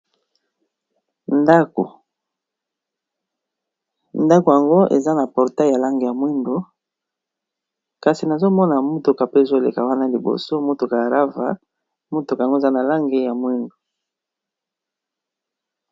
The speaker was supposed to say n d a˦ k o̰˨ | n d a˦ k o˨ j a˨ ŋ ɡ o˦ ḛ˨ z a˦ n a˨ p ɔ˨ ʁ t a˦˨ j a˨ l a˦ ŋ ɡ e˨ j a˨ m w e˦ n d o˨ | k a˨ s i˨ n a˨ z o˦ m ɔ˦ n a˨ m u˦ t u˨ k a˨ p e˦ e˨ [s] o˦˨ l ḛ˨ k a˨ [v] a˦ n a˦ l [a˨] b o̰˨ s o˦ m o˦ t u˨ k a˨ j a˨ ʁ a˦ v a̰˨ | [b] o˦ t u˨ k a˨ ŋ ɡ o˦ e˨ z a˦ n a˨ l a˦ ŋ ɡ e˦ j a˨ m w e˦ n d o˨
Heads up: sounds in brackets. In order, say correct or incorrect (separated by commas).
incorrect, incorrect, incorrect, incorrect